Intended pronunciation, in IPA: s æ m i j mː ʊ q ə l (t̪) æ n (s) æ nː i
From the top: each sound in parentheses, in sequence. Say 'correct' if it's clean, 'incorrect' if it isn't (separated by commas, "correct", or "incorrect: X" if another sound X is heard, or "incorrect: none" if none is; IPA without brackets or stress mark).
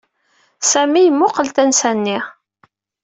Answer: correct, correct